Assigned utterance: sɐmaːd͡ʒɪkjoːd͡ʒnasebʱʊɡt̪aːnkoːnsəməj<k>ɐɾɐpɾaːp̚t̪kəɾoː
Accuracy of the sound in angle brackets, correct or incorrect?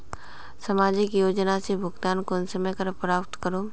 correct